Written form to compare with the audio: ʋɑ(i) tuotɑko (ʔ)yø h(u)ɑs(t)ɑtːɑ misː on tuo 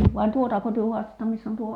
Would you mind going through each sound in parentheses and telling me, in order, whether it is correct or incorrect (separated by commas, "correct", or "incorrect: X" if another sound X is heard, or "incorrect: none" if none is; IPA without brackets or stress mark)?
correct, incorrect: t, correct, correct